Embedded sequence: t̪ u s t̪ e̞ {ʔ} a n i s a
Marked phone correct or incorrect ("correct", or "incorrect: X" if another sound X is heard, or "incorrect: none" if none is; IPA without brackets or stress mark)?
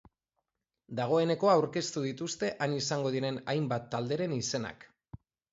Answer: correct